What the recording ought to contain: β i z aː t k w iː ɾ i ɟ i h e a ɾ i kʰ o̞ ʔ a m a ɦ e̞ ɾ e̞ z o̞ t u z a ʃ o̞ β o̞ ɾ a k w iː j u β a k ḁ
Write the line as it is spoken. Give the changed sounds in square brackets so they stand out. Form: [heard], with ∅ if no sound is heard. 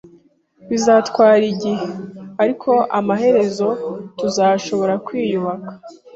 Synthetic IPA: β i z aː t k w [aː] ɾ i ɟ i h e a ɾ i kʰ o̞ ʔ a m a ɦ e̞ ɾ e̞ z o̞ t u z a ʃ o̞ β o̞ ɾ a k w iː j u β a k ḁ